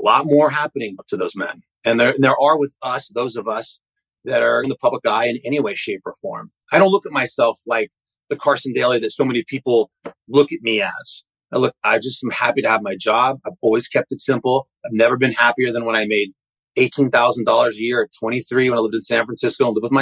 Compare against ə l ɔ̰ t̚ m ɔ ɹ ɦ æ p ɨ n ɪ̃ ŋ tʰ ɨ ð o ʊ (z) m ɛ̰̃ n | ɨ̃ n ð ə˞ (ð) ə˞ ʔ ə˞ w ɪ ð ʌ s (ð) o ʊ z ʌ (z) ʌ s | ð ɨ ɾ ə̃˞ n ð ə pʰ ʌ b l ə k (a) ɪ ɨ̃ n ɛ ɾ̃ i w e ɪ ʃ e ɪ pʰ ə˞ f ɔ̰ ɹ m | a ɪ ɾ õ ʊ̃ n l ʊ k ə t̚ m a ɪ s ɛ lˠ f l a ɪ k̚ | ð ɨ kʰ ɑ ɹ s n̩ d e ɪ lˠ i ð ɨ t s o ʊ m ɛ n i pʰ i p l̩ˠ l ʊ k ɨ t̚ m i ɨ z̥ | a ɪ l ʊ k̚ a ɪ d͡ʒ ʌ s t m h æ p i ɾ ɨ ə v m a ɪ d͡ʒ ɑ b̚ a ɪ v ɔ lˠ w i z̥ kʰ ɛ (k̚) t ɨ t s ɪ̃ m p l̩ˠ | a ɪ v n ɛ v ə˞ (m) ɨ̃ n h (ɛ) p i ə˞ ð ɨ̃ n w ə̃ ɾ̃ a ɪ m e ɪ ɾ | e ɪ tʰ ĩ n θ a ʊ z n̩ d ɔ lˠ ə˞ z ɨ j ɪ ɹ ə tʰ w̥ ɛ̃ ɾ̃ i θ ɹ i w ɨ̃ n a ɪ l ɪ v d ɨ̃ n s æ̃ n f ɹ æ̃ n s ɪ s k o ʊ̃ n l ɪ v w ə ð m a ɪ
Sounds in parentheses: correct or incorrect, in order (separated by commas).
correct, correct, correct, incorrect, correct, incorrect, incorrect, incorrect